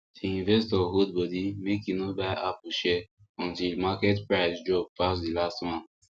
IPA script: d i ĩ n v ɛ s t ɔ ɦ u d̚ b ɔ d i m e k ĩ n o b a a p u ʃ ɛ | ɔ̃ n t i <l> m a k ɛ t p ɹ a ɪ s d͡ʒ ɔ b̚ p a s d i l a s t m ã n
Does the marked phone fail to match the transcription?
no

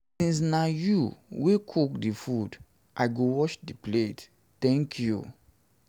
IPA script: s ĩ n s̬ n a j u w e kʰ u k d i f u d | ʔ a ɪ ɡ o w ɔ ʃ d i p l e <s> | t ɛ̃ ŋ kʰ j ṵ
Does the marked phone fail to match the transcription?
yes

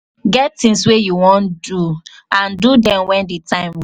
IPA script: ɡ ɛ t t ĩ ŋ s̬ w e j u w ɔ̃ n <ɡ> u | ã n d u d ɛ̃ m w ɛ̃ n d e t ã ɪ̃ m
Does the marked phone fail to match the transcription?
yes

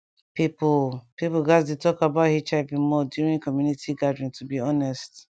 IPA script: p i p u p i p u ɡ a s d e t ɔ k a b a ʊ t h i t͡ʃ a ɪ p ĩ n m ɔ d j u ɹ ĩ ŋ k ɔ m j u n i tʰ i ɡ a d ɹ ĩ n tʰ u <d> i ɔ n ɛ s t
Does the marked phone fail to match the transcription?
yes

